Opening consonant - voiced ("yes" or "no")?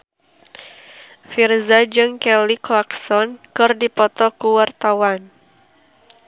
no